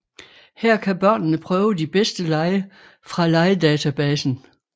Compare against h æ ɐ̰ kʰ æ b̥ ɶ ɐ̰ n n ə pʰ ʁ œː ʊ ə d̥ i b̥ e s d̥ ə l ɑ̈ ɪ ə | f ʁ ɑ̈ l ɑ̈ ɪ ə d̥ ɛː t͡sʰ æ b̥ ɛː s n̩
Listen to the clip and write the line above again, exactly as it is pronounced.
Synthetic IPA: h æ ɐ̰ kʰ æ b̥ ɶ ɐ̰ n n ə pʰ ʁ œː ʊ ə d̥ i b̥ e s d̥ ə l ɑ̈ ɪ ə | f ʁ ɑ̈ l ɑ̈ ɪ ə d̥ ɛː t͡sʰ æ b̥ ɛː s n̩